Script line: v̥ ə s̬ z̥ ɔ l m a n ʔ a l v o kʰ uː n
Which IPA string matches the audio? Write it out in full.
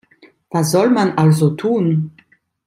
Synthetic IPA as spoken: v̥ a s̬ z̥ ɔ l m a n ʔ a l z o tʰ uː n